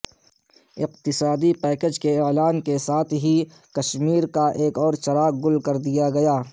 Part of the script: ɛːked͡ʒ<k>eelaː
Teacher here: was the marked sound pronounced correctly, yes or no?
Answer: yes